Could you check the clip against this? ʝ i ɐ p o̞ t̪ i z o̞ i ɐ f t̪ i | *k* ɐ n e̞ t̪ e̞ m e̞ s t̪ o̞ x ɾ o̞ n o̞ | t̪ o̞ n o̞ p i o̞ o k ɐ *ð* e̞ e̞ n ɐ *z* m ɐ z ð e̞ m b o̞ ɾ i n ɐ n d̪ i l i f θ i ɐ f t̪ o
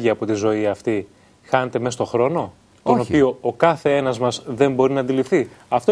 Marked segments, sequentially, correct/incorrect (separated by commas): incorrect, incorrect, correct